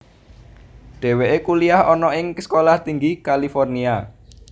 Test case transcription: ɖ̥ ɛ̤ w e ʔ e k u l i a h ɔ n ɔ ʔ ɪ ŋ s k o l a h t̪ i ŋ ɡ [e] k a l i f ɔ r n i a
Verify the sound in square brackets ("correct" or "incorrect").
incorrect